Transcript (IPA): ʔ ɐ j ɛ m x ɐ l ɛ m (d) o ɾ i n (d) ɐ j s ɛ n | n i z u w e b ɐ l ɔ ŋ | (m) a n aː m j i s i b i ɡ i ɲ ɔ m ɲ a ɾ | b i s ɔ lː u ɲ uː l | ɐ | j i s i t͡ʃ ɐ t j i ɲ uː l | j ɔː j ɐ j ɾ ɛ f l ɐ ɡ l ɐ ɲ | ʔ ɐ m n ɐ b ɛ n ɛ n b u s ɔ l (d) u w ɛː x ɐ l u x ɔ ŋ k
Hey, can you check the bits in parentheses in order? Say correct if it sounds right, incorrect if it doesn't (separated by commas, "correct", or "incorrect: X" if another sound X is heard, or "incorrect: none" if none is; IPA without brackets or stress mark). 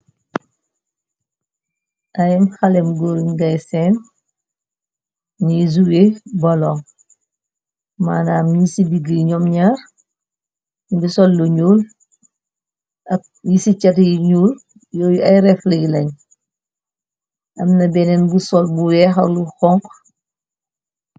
incorrect: ɡ, incorrect: ɡ, correct, incorrect: b